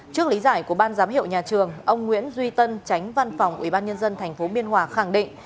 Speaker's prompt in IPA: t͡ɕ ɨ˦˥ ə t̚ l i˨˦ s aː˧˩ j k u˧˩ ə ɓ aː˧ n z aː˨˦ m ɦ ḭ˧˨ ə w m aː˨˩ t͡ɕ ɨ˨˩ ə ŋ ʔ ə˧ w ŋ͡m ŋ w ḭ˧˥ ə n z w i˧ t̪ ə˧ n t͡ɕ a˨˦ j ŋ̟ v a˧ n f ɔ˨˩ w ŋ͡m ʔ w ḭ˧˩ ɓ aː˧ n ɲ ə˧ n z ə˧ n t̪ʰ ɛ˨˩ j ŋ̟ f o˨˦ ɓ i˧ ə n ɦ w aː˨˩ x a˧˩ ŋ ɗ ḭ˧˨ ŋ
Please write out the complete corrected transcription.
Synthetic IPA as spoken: t͡ɕ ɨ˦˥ ə k̚ l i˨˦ z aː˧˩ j k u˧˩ ə ɓ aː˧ n z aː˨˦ m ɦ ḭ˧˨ ə w ɲ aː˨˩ t͡ɕ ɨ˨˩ ə ŋ ʔ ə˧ w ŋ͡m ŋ w ḭ˧˥ ə n z w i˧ t̪ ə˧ n t͡ɕ a˨˦ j ŋ̟ v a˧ n f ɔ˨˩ w ŋ͡m ʔ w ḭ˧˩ ɓ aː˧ n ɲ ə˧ n z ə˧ n t̪ʰ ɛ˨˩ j ŋ̟ f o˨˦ ɓ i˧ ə n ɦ w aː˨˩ x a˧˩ ŋ ɗ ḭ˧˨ ŋ

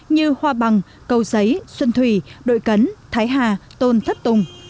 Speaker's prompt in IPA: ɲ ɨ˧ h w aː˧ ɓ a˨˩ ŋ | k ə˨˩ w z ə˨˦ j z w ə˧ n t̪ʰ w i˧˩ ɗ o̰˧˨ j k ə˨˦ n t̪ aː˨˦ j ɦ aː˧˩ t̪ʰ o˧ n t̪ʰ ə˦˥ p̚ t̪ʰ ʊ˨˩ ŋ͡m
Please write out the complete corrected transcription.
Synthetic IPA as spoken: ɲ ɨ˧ h w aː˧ ɓ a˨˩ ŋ | k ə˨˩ w z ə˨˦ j s w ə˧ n t̪ʰ w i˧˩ ɗ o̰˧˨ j k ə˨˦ n t̪ʰ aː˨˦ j ɦ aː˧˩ t̪ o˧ n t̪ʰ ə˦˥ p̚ t̪ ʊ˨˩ ŋ͡m

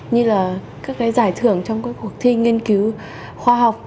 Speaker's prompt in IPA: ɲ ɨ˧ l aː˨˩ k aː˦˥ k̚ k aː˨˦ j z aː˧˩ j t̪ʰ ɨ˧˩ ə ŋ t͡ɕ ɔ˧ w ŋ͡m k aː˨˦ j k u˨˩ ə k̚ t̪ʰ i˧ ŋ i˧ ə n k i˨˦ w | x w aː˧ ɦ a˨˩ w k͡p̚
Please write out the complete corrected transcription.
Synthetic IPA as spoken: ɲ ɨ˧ l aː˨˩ k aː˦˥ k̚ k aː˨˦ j z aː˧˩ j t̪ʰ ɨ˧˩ ə ŋ t͡ɕ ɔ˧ w ŋ͡m k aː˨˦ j k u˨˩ ə k̚ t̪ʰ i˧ ŋ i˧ ə n k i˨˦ w | x w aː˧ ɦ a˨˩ w k͡p̚

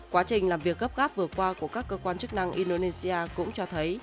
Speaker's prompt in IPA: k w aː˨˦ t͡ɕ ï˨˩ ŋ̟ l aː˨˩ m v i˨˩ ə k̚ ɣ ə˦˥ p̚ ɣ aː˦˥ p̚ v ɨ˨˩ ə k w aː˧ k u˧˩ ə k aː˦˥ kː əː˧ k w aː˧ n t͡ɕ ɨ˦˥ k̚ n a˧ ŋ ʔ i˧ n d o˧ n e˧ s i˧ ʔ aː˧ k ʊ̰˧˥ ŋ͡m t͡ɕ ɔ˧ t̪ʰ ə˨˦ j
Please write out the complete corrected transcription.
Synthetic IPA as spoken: k w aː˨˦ t͡ɕ ï˨˩ ŋ̟ l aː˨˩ m v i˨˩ ə k̚ ɣ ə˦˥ p̚ ɣ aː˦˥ p̚ v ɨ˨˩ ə k w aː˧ k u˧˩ ə k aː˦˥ kː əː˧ k w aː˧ n t͡ɕ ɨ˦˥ k̚ n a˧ ŋ ʔ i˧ n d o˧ n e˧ s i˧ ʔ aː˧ k ʊ̰˧˥ ŋ͡m t͡ɕ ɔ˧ t̪ʰ ə˨˦ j

